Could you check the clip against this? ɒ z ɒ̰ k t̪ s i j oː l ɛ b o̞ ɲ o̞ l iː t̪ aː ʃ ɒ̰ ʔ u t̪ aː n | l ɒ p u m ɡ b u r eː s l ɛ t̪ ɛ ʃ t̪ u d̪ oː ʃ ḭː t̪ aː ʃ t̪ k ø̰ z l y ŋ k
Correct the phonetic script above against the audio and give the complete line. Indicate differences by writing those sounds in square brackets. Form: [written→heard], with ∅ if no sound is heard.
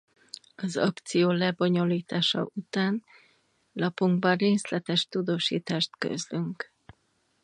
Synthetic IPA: ɒ z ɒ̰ k t̪ s i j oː l ɛ b o̞ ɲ o̞ l iː t̪ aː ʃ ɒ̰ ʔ u t̪ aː n | l ɒ p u [m→ŋ] ɡ b [u→ɒ] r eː s l ɛ t̪ ɛ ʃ t̪ u d̪ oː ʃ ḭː t̪ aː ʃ t̪ k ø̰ z l y ŋ k